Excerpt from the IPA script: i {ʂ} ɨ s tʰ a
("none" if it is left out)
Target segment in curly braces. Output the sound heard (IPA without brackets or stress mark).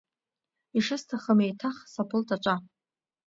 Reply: ʂ